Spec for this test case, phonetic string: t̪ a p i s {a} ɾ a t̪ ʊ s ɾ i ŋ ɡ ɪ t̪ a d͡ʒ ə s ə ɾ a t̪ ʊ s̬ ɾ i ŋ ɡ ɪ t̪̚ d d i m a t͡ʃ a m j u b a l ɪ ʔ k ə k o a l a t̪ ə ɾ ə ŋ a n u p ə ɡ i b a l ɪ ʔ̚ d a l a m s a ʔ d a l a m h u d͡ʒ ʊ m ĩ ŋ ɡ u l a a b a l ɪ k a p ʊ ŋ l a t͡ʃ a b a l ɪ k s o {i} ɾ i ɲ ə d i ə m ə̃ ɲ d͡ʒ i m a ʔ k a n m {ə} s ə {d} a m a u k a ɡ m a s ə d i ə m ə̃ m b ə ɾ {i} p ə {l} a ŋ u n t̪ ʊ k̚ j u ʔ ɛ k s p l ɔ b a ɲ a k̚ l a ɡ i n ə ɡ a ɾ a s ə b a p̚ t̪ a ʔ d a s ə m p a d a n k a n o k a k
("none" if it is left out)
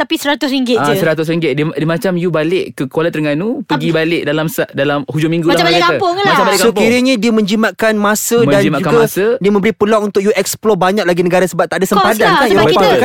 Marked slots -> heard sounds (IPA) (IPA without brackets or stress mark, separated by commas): ə, i, a, d, i, l